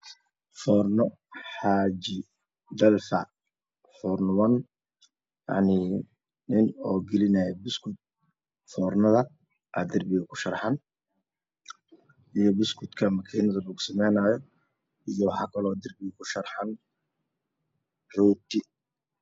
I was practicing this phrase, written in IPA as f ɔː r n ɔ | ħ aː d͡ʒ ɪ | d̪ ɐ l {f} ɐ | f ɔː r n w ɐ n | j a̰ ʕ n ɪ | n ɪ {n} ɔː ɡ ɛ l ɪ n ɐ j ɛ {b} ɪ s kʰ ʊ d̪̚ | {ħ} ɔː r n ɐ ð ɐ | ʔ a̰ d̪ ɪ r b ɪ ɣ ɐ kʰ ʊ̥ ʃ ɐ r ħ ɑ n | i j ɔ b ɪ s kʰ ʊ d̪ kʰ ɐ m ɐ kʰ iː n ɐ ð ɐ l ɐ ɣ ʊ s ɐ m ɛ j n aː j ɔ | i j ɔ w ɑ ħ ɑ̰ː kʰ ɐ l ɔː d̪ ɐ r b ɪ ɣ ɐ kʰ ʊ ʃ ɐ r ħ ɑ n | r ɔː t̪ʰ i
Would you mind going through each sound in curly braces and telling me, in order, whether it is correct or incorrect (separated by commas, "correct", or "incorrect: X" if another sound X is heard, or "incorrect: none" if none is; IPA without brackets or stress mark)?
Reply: correct, correct, correct, incorrect: f